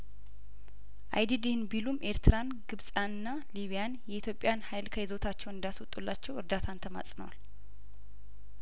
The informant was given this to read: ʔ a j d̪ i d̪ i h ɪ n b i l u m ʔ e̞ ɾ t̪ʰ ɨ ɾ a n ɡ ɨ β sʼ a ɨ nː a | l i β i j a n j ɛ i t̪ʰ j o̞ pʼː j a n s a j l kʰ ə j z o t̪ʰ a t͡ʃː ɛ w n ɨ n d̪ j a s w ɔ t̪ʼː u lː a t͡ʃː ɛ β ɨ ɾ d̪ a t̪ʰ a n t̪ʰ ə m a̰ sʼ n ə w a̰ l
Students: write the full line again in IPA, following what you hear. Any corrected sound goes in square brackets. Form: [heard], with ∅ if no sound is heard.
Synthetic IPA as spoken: ʔ a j d̪ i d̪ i h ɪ n b i l u m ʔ e̞ ɾ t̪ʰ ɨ ɾ a n ɡ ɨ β sʼ a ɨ nː a | l i β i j a n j ɛ i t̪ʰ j o̞ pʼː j a n [h] a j l kʰ ə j z o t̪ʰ a t͡ʃː ɛ w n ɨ n d̪ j a s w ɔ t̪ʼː u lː a t͡ʃː ɛ [w] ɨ ɾ d̪ a t̪ʰ a n t̪ʰ ə m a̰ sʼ n ə w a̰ l